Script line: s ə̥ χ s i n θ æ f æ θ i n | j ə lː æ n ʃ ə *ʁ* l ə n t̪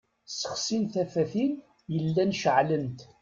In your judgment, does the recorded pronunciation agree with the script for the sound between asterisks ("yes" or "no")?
no